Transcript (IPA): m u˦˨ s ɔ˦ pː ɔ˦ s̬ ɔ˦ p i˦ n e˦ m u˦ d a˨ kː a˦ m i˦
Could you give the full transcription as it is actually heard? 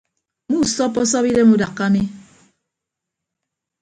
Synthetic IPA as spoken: m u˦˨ s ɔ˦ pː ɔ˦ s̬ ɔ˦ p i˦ d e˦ m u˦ d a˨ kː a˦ m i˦